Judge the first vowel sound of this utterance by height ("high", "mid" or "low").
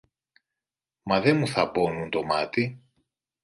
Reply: low